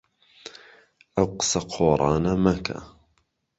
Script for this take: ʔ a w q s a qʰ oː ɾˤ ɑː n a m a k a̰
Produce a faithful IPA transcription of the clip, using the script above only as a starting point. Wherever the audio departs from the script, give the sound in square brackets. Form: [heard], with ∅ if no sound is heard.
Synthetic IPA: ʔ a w q s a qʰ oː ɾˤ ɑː n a m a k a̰